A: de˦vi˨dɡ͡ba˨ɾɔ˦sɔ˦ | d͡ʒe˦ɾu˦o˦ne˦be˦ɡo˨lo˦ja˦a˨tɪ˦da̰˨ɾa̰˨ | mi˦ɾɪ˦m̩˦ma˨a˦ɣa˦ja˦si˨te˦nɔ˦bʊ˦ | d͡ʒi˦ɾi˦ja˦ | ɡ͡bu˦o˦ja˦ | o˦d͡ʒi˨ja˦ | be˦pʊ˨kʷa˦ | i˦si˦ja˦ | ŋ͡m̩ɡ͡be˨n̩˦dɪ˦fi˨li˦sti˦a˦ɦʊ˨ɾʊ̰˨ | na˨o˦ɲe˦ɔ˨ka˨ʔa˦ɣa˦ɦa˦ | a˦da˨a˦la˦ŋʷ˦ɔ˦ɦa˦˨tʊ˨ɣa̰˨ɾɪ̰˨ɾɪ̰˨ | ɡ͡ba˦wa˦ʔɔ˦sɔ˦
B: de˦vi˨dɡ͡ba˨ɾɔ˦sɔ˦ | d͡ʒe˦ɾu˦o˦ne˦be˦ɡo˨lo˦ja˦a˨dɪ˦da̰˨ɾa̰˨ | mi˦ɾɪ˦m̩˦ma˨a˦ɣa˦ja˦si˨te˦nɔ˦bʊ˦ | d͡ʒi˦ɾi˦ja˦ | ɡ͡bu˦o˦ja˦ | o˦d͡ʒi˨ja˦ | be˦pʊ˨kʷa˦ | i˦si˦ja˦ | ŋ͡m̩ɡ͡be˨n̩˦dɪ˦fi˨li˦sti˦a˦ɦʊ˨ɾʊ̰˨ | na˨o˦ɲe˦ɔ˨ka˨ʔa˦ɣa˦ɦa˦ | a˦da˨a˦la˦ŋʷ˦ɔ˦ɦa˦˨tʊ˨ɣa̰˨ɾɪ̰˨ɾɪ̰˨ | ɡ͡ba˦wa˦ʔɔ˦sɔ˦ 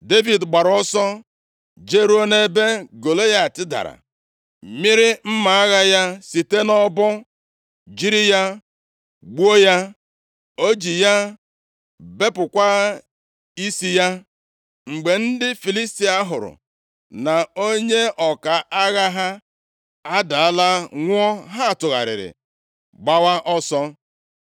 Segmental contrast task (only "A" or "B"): A